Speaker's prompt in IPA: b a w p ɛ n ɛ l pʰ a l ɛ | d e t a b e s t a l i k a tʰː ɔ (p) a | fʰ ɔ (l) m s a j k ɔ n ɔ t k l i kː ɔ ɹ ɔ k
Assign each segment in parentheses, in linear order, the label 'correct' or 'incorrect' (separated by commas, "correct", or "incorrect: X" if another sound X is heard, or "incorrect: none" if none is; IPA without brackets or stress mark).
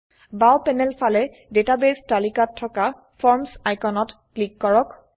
incorrect: k, incorrect: ɹ